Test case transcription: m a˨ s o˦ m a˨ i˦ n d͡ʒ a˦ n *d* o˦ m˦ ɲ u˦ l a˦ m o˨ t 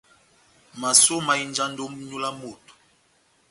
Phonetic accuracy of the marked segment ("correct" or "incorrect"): correct